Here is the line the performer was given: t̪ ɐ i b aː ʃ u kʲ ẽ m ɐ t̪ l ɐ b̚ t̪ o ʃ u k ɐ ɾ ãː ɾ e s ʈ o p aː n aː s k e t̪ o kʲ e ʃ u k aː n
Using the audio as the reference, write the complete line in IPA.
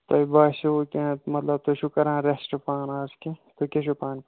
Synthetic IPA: t̪ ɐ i b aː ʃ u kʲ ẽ m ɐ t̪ l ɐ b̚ t̪ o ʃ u k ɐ ɾ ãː ɾ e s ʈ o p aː n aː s k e t̪ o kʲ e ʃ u p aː n